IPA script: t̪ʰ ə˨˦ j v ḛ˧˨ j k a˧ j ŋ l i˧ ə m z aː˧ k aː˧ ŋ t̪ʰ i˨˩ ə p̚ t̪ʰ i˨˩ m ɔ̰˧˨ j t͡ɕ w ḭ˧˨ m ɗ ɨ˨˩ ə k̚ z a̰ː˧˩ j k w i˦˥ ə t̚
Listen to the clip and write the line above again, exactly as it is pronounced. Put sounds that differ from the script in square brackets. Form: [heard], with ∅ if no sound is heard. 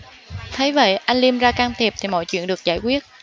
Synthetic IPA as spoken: t̪ʰ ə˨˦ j v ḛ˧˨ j [ʔ] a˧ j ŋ l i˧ ə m z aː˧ k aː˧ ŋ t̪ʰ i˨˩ ə p̚ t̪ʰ i˨˩ m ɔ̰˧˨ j t͡ɕ w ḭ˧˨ [n] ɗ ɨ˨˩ ə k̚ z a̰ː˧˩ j k w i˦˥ ə t̚